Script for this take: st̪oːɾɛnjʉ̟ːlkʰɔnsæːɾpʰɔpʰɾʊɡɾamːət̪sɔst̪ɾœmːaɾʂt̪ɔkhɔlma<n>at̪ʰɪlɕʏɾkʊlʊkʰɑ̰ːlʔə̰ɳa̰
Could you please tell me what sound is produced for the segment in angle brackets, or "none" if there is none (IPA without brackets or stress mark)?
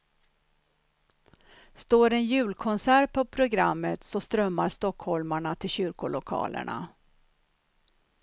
ɳ